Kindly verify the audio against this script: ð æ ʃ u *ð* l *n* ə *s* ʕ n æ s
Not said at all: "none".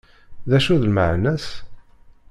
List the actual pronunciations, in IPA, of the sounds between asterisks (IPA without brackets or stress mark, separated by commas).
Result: ð, m, none